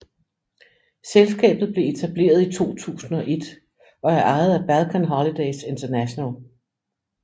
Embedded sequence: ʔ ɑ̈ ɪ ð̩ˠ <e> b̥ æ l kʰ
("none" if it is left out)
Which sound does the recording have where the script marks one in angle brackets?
æ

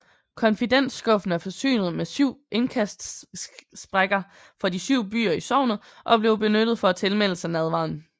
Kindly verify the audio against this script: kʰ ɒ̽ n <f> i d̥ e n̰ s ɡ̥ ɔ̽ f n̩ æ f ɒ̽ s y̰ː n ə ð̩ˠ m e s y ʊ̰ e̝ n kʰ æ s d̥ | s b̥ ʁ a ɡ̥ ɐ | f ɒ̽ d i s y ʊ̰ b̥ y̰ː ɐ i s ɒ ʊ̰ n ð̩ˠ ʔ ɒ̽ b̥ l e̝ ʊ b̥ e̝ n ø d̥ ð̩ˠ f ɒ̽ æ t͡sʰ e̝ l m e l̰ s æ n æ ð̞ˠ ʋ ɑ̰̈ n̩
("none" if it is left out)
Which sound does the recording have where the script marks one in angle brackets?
f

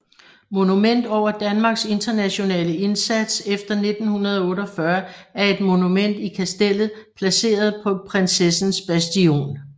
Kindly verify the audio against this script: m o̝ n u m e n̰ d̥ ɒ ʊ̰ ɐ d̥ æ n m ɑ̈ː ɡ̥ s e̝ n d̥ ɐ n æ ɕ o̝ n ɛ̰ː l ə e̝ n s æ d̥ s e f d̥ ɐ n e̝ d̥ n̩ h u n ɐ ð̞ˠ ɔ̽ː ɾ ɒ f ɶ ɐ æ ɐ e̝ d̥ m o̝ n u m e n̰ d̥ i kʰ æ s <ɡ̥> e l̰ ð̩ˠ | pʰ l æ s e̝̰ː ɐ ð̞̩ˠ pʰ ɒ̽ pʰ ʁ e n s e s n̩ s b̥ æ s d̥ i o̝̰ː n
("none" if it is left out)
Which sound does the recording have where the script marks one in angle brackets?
d̥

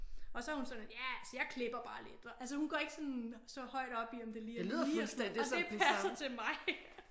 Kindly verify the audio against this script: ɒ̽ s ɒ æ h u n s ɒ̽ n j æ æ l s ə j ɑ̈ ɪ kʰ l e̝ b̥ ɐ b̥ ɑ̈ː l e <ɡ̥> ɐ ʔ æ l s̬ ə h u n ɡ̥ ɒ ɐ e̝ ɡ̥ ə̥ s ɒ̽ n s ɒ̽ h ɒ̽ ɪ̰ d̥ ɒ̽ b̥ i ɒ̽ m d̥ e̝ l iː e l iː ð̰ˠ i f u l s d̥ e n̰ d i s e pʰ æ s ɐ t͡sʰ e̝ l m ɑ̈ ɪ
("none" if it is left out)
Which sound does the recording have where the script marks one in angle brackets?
d̥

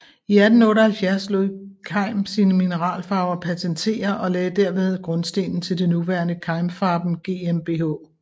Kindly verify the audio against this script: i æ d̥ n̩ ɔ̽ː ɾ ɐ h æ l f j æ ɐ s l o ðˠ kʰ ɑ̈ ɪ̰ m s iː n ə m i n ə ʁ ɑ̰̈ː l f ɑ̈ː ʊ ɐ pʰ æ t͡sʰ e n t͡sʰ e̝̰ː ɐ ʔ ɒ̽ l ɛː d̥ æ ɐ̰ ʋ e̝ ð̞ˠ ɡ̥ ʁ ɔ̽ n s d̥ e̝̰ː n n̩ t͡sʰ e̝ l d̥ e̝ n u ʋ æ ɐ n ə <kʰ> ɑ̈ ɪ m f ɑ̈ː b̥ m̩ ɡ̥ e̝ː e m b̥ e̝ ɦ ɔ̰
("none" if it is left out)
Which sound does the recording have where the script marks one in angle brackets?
kʰ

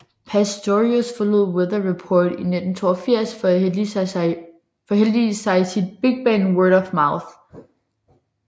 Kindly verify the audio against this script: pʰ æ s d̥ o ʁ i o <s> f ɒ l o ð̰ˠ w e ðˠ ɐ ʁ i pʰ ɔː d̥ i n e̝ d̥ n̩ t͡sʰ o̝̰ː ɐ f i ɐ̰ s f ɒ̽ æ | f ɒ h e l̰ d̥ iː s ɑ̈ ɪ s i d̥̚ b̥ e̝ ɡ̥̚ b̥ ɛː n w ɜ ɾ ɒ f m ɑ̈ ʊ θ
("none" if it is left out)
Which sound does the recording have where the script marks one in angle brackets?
s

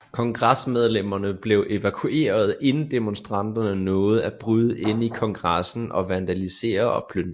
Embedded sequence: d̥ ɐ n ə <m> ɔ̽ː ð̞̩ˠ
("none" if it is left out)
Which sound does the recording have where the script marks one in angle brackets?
n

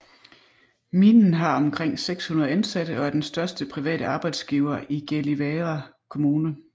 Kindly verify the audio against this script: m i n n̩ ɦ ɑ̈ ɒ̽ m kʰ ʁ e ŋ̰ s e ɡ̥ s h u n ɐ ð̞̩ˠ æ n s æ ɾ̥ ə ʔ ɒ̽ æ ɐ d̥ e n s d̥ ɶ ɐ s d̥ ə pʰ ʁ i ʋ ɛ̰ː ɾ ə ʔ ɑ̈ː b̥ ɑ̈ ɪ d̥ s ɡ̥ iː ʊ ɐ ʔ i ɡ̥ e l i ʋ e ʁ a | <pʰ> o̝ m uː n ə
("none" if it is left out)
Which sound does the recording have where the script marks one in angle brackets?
kʰ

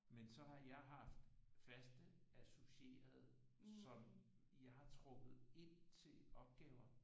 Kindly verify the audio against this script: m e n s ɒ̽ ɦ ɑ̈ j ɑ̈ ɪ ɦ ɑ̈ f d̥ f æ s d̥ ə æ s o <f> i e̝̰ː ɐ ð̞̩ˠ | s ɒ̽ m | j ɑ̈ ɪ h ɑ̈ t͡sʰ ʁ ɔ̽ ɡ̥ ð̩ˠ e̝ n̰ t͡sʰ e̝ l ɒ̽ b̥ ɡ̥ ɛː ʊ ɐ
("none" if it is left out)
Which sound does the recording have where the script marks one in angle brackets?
ɕ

